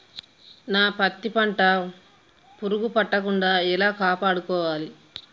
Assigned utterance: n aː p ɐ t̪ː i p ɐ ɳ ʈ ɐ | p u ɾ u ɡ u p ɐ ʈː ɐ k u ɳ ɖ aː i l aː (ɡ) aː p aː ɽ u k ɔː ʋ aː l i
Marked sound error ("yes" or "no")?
yes